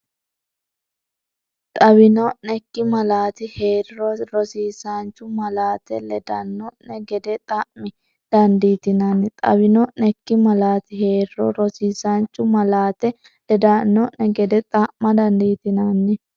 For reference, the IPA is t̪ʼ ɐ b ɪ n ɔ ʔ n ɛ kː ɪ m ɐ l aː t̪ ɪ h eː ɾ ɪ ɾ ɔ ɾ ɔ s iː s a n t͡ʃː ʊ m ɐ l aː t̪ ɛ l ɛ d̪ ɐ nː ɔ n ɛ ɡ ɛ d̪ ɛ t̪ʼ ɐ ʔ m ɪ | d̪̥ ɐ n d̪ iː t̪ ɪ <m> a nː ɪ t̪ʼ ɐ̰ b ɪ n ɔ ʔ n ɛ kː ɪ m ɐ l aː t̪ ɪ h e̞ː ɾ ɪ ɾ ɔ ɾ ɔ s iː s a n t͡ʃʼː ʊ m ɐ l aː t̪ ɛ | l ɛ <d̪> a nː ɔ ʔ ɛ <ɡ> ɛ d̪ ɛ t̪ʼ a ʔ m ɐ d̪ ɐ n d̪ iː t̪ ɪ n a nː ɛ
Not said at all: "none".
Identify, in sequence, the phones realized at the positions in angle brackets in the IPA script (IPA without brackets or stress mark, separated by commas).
n, d̪, ɡ